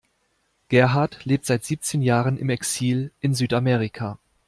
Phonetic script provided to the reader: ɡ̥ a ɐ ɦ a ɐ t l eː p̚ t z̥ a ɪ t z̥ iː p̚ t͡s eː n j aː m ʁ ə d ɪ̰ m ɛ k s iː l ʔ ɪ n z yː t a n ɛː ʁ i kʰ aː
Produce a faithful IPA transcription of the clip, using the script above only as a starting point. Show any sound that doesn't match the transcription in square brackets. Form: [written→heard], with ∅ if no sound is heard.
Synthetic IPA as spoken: ɡ̥ [a→ɛ] ɐ ɦ a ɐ t l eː p̚ t z̥ a ɪ t z̥ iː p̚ t͡s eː n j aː [m→∅] ʁ ə [d→n] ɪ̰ m ɛ k s iː l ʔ ɪ n z yː t a [n→m] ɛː ʁ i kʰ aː